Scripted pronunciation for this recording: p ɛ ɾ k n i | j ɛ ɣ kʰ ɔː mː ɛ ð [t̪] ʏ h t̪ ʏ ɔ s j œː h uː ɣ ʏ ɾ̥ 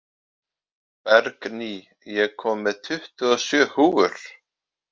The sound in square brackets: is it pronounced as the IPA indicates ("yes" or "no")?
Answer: no